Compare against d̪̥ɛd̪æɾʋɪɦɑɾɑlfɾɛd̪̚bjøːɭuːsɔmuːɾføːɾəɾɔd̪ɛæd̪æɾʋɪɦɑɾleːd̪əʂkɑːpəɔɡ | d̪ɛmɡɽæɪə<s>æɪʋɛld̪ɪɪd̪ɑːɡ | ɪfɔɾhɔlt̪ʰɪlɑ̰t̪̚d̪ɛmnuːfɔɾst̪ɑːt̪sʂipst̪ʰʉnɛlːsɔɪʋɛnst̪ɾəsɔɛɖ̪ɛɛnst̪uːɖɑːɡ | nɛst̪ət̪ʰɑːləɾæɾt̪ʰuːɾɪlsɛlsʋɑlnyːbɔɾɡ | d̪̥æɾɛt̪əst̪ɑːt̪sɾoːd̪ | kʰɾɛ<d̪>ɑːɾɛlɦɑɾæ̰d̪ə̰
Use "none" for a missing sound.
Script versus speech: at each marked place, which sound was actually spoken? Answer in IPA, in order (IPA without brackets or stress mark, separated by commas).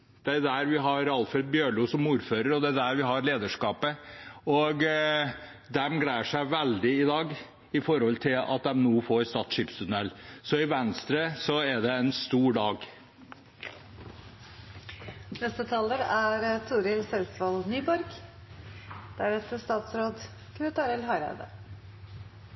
ʂ, t̪